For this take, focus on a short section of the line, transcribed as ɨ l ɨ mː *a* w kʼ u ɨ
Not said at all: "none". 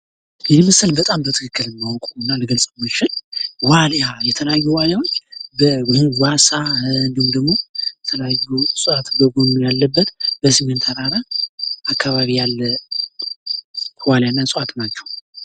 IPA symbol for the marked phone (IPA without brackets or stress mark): a